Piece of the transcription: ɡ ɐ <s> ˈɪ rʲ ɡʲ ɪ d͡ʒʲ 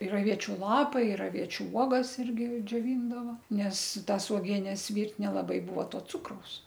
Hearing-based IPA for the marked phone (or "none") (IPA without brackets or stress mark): s